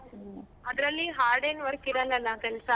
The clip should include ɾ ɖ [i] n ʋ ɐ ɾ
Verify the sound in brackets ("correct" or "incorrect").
incorrect